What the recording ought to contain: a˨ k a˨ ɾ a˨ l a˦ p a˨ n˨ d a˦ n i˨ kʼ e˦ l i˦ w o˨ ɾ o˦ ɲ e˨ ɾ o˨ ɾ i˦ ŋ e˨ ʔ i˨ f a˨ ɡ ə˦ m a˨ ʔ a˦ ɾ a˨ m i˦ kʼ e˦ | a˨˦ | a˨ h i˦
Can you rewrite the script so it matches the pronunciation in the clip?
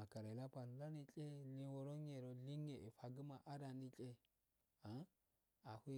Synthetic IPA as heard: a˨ k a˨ ɾ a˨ l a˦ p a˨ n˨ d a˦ n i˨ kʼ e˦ l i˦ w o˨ ɾ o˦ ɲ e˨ ɾ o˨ l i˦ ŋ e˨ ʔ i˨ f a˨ ɡ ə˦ m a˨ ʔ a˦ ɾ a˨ n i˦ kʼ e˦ | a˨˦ | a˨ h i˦